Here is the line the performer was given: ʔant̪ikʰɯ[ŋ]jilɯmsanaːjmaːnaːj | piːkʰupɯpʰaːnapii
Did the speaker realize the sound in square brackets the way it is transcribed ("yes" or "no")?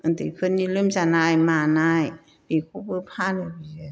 no